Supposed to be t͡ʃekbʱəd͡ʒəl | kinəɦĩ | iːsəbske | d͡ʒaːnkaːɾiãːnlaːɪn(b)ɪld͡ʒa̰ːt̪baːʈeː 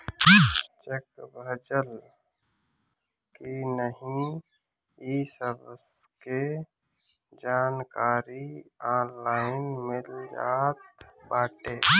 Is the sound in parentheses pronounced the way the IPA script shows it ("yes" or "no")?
no